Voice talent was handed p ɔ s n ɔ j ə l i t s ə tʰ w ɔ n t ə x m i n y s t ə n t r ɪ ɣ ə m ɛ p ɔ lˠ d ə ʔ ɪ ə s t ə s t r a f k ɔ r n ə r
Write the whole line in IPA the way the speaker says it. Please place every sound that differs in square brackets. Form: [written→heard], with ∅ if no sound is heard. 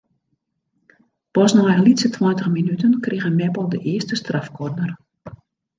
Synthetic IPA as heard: p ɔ s n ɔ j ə l i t s ə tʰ w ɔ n t ə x m i n y [s→∅] t ə n [t→k] r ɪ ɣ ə m ɛ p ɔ lˠ d ə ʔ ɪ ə s t ə s t r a f k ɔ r n ə r